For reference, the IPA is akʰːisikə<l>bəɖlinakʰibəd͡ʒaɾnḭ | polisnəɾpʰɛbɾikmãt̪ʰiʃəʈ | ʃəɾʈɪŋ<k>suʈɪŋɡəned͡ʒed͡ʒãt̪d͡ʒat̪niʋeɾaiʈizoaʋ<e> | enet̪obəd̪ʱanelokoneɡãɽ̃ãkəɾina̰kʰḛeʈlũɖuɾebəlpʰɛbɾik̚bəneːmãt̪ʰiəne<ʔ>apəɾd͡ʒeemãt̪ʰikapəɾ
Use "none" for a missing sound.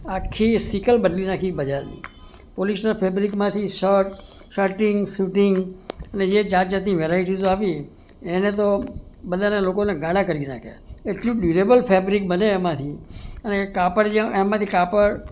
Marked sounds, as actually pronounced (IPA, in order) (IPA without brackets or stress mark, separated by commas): l, ɡ, i, k